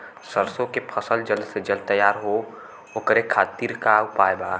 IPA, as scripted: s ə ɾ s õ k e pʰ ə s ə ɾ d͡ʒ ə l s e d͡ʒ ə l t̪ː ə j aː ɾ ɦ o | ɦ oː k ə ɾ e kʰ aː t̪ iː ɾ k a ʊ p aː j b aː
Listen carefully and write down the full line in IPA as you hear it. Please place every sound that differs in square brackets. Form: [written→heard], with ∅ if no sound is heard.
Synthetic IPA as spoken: s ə ɾ s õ k e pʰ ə s ə [ɾ→l] d͡ʒ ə l s e d͡ʒ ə l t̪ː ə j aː ɾ ɦ o | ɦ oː k ə ɾ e kʰ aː t̪ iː ɾ k a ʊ p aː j b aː